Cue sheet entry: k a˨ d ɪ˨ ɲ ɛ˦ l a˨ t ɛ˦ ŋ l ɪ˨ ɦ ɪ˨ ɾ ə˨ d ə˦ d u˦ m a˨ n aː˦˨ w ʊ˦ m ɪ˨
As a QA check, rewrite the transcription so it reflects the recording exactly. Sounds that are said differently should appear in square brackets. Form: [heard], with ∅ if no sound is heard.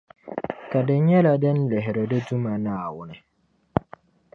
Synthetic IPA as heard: k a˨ d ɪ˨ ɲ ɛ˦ l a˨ [d] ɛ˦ [n] l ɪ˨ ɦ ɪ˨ ɾ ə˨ d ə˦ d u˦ m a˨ n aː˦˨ w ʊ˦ [n] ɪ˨